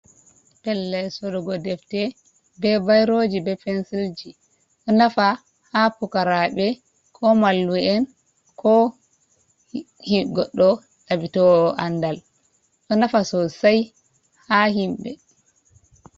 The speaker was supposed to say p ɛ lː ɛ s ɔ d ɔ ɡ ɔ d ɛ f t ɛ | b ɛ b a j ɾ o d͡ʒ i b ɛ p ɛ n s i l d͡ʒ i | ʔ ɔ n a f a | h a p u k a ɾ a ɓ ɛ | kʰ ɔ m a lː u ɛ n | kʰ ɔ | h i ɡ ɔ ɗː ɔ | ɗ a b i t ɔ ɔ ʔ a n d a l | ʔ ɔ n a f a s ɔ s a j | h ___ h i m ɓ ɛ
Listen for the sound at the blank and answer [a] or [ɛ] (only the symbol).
a